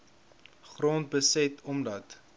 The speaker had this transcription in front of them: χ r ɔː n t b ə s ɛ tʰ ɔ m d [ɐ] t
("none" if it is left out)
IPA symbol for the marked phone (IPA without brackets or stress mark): ɐ